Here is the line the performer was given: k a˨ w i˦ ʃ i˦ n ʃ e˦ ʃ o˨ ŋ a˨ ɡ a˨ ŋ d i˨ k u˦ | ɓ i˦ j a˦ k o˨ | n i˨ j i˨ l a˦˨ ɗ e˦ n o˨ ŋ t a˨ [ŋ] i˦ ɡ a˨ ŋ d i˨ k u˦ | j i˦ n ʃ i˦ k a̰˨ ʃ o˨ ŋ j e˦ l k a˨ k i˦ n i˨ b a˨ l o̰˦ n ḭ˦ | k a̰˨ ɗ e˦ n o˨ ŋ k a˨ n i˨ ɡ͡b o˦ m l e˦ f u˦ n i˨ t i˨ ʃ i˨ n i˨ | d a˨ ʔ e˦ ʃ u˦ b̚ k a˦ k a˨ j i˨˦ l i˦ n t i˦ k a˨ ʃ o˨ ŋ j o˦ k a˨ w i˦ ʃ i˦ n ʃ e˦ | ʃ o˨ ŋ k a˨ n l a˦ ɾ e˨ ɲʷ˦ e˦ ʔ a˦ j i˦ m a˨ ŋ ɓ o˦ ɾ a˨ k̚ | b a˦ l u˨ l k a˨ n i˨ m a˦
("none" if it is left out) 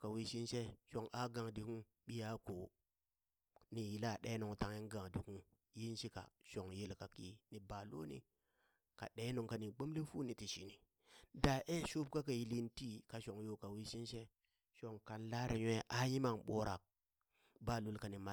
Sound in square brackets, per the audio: ŋ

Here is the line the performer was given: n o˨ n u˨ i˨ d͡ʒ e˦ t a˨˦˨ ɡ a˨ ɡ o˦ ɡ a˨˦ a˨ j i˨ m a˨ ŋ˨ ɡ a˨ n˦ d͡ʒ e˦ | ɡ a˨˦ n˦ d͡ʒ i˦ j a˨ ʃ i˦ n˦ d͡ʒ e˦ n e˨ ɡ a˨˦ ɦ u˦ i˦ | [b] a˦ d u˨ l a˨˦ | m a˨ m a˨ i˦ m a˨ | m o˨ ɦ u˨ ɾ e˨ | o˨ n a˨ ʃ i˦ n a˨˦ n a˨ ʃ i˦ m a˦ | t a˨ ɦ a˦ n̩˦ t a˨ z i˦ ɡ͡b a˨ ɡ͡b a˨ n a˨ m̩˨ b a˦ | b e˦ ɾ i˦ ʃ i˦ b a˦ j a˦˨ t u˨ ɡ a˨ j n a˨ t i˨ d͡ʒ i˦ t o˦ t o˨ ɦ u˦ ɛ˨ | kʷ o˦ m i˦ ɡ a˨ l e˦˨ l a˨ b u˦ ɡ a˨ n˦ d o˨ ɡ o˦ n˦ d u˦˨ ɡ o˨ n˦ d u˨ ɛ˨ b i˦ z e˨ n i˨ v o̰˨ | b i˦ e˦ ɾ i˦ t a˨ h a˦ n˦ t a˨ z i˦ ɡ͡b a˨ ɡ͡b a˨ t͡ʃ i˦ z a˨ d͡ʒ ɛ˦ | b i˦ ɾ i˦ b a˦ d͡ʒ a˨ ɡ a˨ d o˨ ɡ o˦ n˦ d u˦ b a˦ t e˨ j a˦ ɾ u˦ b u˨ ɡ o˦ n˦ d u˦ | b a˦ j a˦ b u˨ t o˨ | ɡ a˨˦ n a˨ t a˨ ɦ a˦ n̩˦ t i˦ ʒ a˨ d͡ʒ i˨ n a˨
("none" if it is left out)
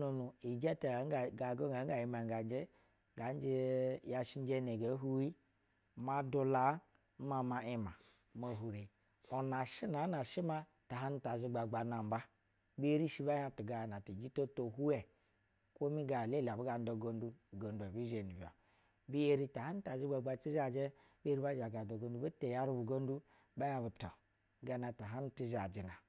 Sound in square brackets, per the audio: m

